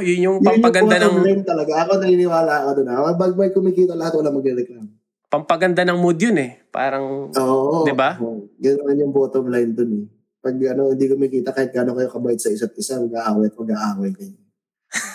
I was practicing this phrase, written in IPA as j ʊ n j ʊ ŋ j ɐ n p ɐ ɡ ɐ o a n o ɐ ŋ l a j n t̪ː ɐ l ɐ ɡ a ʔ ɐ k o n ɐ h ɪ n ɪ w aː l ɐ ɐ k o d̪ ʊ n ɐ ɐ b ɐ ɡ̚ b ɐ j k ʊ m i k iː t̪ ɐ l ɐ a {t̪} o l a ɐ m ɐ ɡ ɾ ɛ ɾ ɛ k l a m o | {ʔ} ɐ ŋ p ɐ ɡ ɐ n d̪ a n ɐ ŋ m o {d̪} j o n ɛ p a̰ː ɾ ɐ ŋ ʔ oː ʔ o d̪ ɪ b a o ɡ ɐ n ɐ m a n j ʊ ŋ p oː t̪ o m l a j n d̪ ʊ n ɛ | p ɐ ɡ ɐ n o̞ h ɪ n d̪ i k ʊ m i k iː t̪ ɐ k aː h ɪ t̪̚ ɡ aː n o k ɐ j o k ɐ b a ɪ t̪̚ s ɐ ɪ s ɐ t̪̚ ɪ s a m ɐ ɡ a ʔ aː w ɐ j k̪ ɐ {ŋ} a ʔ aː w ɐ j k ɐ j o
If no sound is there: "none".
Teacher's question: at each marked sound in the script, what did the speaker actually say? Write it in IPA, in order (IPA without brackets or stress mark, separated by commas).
t̪, p, d̪, ɡ